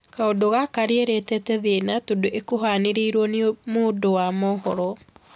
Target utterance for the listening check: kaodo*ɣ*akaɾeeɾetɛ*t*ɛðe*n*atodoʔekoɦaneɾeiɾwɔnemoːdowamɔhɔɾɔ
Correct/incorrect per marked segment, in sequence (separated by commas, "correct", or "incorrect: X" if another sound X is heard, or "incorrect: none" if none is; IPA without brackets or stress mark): correct, correct, correct